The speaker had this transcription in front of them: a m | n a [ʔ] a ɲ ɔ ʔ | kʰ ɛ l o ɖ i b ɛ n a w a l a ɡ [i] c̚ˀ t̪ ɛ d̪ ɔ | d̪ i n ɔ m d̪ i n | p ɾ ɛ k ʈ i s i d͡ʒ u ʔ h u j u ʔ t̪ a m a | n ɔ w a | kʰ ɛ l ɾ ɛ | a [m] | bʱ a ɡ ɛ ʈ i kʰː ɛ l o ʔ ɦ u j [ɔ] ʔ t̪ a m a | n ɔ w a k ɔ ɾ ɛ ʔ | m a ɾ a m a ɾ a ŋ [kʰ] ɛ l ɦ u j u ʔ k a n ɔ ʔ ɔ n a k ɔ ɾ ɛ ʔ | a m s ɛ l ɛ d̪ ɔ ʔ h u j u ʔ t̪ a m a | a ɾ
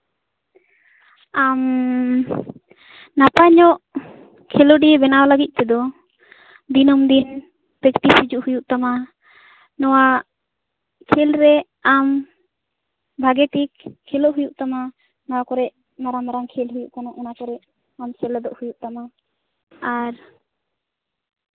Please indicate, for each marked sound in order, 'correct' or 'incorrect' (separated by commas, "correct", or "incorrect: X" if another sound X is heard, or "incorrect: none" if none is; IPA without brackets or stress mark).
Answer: incorrect: p, correct, correct, incorrect: u, correct